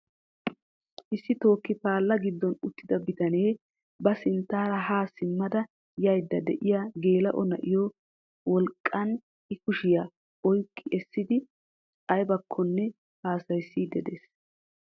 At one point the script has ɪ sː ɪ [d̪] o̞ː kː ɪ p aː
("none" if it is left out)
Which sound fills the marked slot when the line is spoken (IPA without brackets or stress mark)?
t̪